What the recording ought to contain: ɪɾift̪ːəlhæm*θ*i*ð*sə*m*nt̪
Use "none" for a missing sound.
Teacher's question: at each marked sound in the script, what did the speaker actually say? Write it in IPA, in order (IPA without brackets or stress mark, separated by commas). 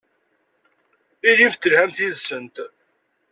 θ, ð, none